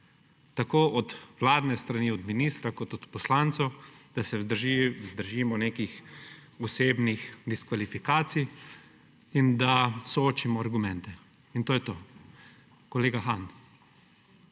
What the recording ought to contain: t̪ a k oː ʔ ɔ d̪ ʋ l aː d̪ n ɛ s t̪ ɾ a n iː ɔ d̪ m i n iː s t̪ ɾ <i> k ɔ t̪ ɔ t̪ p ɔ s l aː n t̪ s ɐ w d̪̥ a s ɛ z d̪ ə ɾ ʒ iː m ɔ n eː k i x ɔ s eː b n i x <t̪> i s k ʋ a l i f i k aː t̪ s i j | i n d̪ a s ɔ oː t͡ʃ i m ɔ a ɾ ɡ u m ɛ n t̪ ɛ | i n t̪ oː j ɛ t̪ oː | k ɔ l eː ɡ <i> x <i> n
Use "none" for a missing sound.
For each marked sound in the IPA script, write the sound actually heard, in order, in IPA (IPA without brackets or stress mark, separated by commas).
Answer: a, d̪, a, a